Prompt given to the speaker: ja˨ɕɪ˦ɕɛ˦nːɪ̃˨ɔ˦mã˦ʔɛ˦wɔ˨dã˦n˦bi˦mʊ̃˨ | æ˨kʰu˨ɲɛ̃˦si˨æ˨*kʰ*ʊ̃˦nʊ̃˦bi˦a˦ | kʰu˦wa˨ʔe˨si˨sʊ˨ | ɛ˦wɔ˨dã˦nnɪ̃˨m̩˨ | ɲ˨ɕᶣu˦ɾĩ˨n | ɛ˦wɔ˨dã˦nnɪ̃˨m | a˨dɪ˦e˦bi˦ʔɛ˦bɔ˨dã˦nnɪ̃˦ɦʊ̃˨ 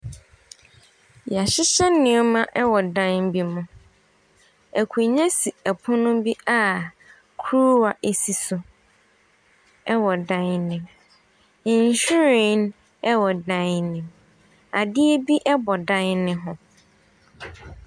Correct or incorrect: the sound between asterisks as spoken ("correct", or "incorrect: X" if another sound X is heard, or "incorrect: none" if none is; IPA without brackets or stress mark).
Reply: incorrect: pʰ